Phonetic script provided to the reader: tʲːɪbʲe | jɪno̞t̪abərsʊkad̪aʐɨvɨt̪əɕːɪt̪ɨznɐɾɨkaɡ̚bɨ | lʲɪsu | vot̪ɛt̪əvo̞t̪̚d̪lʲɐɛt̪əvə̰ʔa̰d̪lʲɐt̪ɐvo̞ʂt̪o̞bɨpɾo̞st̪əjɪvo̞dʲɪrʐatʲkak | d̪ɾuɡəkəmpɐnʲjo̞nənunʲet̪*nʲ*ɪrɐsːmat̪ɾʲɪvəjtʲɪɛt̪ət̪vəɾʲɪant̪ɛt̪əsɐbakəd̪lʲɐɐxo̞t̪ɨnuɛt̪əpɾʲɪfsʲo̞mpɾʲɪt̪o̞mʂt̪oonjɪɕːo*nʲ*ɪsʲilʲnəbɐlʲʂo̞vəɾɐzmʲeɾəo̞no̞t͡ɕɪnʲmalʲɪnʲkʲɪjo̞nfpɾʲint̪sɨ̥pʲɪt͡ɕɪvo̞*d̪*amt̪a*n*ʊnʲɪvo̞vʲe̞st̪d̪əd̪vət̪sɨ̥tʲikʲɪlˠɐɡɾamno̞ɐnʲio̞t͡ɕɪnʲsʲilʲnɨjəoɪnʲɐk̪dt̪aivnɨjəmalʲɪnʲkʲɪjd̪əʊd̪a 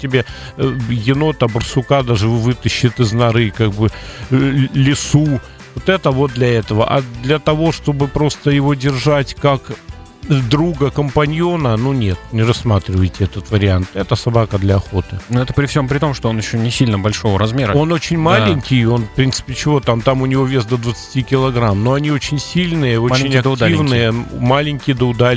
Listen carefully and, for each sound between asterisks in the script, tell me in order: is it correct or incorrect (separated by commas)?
correct, correct, incorrect, incorrect